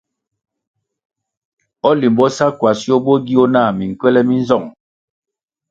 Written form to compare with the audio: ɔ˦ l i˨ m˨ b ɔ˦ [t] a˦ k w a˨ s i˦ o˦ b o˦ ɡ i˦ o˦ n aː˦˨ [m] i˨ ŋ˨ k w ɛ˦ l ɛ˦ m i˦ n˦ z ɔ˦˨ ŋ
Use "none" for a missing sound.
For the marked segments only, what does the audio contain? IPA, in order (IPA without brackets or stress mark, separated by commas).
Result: s, m